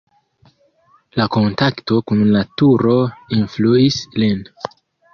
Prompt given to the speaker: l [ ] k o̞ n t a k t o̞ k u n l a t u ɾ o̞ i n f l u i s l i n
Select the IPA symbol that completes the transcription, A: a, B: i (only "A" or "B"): A